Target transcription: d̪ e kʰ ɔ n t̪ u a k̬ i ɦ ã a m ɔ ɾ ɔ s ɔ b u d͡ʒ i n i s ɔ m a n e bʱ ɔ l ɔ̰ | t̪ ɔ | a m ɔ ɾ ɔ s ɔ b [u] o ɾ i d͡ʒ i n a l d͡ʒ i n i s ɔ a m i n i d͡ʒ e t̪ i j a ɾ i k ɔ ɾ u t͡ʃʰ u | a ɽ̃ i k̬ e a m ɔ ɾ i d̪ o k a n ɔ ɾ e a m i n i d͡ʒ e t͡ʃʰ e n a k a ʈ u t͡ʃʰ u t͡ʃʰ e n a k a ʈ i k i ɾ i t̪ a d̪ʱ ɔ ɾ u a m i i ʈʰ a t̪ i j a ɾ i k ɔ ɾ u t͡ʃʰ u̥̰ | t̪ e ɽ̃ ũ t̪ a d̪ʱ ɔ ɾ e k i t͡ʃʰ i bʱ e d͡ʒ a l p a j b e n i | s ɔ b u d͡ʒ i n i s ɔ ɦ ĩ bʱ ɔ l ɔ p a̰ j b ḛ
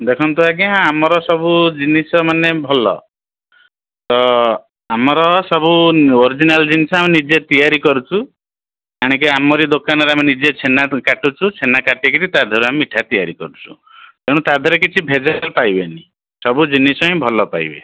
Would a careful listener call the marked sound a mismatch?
no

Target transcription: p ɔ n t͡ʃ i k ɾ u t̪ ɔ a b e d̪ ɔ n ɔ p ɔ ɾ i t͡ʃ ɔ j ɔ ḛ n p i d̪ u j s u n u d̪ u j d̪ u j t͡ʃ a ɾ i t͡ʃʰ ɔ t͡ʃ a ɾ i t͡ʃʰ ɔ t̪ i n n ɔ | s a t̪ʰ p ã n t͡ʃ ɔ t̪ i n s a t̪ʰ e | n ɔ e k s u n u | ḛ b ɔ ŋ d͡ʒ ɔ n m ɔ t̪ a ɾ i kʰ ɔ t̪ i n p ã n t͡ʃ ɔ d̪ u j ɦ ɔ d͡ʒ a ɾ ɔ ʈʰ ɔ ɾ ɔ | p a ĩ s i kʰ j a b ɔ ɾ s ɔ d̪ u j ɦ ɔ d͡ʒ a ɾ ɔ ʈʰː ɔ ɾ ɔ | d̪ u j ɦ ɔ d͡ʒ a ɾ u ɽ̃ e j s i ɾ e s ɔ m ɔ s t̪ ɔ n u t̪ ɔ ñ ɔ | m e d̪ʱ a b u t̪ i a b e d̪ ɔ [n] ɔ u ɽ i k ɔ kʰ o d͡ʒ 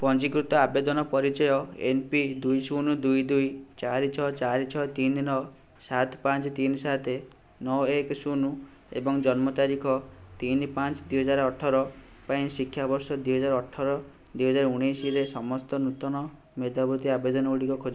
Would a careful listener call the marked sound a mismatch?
no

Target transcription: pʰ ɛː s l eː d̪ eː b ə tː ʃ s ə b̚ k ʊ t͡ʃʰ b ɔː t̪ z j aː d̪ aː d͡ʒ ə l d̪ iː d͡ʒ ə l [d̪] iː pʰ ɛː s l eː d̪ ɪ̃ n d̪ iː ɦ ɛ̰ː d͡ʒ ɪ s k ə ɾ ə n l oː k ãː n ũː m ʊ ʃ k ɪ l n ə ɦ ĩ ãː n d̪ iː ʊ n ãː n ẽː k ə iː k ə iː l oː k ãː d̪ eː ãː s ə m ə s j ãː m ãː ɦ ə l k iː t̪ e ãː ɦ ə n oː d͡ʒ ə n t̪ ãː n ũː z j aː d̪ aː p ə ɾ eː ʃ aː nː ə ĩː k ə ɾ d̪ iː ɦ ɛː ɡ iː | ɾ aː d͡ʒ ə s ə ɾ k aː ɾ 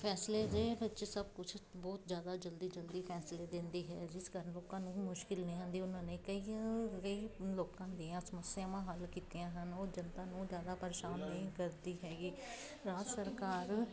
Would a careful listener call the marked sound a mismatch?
no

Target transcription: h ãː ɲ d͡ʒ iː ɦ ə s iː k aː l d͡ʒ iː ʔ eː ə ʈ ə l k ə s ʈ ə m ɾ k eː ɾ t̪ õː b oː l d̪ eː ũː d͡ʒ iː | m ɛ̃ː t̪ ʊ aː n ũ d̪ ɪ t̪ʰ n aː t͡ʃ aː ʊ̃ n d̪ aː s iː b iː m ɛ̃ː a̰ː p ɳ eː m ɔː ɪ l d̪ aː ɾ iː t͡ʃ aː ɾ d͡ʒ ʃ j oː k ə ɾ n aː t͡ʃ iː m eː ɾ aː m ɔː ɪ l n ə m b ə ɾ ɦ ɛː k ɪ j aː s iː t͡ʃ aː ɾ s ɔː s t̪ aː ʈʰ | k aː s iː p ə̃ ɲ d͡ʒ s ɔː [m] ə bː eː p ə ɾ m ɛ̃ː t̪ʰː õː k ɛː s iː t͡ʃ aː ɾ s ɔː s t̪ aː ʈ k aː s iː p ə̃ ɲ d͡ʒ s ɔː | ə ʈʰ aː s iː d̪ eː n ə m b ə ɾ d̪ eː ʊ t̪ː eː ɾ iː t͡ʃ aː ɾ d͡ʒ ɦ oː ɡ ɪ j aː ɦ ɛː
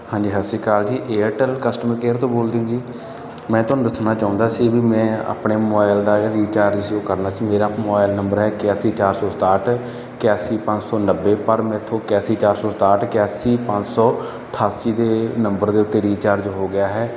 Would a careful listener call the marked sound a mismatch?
yes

